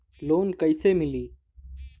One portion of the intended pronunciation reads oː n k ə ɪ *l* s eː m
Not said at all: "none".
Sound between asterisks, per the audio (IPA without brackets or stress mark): none